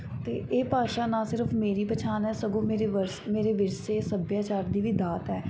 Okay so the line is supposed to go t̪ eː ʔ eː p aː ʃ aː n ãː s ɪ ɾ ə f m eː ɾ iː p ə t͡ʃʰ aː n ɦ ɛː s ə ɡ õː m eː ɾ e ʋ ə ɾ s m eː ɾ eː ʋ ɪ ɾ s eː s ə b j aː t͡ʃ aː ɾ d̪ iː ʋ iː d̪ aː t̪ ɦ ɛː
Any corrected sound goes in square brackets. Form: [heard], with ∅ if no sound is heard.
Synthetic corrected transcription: t̪ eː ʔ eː p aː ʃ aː n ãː s ɪ ɾ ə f m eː ɾ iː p ə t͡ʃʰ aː n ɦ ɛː s ə ɡ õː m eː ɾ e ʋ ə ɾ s m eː ɾ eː ʋ ɪ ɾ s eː s ə b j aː t͡ʃ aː ɾ d̪ iː ʋ iː d̪ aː t̪ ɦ ɛː